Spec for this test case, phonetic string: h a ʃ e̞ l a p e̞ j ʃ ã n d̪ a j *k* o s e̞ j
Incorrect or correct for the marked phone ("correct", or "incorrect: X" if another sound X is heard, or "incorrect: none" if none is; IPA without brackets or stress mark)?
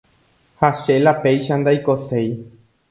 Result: correct